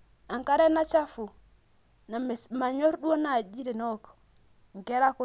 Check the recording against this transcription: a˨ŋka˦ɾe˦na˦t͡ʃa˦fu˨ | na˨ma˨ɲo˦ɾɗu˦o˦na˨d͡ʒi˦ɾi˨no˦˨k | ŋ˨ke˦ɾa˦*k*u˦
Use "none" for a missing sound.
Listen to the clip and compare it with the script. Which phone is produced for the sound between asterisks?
k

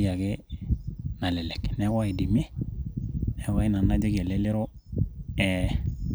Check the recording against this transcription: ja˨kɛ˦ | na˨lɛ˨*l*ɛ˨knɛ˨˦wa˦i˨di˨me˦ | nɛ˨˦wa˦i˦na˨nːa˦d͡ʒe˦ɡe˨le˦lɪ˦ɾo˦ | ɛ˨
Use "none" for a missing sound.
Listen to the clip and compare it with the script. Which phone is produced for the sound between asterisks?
l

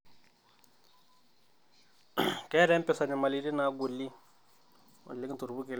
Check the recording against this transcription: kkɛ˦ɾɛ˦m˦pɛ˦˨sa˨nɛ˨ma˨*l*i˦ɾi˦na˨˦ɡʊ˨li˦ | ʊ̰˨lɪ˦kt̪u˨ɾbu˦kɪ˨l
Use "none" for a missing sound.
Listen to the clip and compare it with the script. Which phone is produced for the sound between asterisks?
l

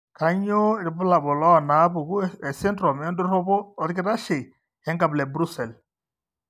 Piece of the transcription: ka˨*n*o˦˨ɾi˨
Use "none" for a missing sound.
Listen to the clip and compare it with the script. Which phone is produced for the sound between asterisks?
ɲ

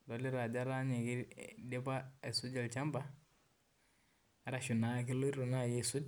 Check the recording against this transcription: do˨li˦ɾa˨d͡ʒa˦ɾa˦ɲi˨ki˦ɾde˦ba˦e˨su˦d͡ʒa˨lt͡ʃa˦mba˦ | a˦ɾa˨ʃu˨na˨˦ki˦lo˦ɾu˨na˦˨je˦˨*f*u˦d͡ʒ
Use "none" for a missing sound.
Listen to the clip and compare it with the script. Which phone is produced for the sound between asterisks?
s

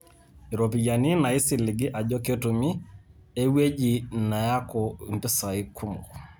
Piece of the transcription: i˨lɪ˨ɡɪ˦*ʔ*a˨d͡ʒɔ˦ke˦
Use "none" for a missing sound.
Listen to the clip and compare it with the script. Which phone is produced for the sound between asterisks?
ʔ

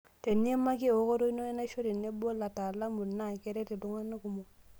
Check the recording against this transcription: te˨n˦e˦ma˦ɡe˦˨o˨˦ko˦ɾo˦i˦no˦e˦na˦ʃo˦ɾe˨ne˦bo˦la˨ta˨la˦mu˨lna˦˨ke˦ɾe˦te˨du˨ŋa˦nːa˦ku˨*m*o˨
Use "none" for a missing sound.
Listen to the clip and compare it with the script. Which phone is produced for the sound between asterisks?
m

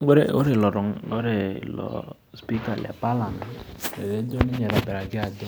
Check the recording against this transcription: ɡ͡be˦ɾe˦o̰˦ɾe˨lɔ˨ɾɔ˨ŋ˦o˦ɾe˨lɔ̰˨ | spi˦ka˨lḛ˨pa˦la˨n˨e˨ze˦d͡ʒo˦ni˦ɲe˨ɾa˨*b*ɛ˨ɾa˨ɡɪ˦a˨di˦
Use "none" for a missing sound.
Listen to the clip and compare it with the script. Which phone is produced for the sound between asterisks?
b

